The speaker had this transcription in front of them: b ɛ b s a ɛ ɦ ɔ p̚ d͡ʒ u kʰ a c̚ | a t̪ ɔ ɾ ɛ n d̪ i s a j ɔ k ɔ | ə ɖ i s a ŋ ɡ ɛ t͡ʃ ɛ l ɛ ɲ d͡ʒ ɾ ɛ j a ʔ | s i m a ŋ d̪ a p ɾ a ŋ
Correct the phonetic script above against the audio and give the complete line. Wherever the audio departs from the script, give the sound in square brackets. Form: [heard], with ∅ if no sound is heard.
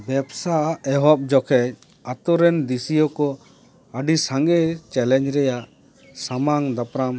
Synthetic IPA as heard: b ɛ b s a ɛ ɦ ɔ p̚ d͡ʒ [ɔ] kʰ [ɛ] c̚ | a t̪ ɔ ɾ ɛ n d̪ i s [i] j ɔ k ɔ | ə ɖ i s a ŋ ɡ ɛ t͡ʃ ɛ l ɛ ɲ d͡ʒ ɾ ɛ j a ʔ | s [a] m a ŋ d̪ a p ɾ a [m]